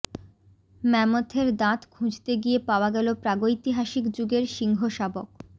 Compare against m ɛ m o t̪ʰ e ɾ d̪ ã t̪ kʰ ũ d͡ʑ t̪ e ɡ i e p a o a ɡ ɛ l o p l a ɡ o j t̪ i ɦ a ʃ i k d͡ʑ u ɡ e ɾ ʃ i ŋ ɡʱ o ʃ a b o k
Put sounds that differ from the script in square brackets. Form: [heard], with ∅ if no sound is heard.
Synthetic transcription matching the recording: m ɛ m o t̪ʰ e ɾ d̪ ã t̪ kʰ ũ d͡ʑ t̪ e ɡ i e p a o a ɡ ɛ l o p [ɾ] a ɡ o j t̪ i ɦ a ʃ i k d͡ʑ u ɡ e ɾ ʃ i ŋ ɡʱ o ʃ a b o k